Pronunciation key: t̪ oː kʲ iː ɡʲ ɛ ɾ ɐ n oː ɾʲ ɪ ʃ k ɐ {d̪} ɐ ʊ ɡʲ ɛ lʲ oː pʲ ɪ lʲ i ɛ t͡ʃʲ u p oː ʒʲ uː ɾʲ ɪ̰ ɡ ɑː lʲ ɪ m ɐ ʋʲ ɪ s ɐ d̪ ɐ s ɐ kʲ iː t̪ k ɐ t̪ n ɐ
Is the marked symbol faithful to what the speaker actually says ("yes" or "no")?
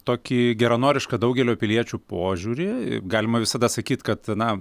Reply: yes